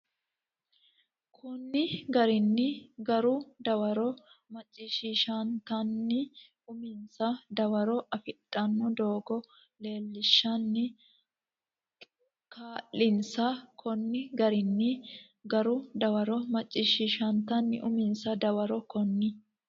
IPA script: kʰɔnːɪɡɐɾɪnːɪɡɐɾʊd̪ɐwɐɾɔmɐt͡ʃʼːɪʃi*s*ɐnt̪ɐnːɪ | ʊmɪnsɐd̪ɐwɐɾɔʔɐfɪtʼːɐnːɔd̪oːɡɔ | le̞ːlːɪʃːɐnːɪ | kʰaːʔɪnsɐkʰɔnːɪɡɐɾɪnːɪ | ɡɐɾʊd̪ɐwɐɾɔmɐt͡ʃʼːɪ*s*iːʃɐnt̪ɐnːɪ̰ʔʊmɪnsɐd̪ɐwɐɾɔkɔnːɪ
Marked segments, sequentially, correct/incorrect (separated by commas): incorrect, incorrect